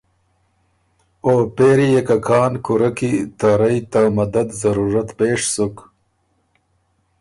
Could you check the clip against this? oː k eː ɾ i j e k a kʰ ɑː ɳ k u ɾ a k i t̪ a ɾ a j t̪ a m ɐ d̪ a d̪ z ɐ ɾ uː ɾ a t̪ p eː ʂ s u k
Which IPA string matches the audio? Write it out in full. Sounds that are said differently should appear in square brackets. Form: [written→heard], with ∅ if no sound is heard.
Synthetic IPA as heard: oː [k→p] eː ɾ i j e k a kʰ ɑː [ɳ→n] k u ɾ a k i t̪ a ɾ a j t̪ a m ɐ d̪ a d̪ z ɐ ɾ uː ɾ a t̪ p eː ʂ s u k